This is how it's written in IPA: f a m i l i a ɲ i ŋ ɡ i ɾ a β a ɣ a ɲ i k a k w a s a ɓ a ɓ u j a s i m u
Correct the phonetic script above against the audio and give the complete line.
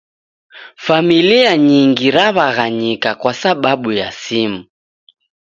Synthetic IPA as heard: f a m i l i a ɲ i ŋ ɡ i ɾ a β a ɣ a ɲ i k a k w a s a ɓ a ɓ u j a s i m u